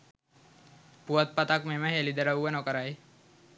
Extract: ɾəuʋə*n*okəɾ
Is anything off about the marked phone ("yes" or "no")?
no